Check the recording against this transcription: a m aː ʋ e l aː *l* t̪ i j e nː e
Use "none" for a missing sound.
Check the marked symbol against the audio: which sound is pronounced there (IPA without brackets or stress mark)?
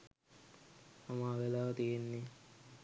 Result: none